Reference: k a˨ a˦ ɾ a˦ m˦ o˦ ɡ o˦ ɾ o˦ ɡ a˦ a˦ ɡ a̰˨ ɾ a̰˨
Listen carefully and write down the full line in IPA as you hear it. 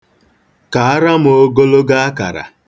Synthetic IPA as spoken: k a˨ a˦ ɾ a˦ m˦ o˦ ɡ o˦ l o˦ ɡ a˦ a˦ k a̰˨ ɾ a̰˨